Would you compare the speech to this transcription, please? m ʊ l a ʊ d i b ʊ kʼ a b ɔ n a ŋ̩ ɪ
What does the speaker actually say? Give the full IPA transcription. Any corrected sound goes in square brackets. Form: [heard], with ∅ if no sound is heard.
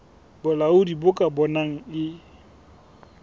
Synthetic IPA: [b] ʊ l a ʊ d i b ʊ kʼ a b ɔ n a ŋ̩ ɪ